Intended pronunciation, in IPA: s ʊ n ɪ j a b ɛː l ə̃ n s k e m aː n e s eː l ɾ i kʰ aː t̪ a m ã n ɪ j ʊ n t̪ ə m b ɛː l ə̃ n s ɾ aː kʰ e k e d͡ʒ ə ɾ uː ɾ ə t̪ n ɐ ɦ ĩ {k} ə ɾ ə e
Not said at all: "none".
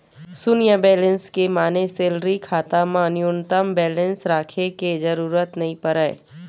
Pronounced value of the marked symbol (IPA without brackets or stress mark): p